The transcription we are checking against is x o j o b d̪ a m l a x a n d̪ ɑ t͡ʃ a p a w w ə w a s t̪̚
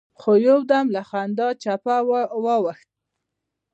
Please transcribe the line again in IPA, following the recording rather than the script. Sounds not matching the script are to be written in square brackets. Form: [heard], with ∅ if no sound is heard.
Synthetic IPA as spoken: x o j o [w] d̪ a m l a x a n d̪ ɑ t͡ʃ a p a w w [ɑ] w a [x] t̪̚